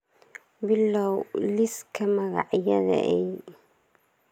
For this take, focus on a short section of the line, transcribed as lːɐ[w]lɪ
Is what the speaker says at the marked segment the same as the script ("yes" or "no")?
yes